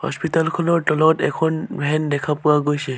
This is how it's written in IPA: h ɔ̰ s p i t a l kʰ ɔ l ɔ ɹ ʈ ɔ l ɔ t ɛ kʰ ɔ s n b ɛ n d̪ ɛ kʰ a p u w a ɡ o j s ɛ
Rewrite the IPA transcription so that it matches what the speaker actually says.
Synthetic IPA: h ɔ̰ s p i t a l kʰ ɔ l ɔ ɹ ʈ ɔ l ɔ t ɛ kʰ ɔ n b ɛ n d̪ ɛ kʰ a p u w a ɡ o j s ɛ